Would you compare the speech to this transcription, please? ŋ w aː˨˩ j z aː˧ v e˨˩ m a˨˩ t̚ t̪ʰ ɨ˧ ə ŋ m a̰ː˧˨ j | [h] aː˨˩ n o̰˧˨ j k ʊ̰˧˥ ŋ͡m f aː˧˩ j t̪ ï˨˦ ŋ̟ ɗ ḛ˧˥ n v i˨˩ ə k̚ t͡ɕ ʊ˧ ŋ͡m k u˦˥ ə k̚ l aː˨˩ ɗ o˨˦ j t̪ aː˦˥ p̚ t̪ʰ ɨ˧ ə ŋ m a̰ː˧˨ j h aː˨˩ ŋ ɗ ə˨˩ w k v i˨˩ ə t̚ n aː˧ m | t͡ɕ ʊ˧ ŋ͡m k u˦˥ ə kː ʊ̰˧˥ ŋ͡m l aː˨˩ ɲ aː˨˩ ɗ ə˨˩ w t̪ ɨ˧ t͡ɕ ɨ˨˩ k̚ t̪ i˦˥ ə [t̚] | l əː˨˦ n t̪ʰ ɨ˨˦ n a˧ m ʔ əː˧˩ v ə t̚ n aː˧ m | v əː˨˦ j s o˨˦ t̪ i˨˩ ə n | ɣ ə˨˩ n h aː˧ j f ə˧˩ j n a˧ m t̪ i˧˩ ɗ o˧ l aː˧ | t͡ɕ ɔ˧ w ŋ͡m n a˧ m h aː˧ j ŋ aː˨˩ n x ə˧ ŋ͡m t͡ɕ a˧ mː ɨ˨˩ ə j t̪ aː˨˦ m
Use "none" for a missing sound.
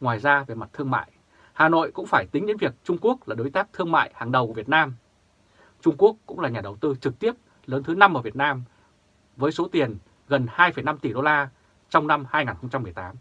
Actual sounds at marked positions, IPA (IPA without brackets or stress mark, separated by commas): h, p̚